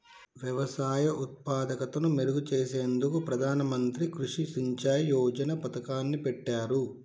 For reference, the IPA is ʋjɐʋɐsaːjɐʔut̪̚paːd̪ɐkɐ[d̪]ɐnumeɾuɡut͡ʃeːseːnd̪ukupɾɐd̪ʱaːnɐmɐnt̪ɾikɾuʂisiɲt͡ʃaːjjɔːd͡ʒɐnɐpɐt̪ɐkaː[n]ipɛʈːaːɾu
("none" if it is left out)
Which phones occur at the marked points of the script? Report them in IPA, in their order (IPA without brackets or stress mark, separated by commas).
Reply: t̪, nː